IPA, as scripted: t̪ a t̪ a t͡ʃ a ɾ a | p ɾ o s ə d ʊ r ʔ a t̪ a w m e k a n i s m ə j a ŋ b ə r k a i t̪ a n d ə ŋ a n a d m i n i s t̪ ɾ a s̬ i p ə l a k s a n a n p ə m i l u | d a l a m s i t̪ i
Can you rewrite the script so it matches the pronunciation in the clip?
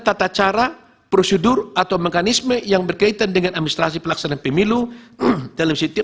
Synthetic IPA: t̪ a t̪ a t͡ʃ a ɾ a | p ɾ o s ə d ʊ r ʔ a t̪ a w m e k a n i s m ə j a ŋ b ə r k a i t̪ a n d ə ŋ a n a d m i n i s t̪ ɾ a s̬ i p ə l a k s a n a n p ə m i l u | d a l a m s i t̪ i